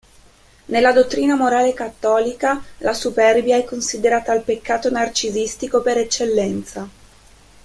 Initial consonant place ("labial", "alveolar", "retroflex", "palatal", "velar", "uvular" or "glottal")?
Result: alveolar